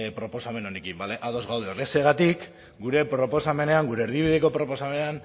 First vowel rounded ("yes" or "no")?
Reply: yes